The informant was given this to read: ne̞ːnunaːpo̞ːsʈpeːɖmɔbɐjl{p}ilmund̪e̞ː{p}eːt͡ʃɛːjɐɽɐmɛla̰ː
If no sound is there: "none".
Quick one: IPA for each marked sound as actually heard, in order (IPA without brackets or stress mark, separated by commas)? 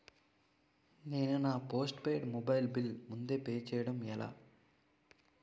b, p